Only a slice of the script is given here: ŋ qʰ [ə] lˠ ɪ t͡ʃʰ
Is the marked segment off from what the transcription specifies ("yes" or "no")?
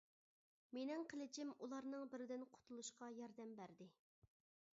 no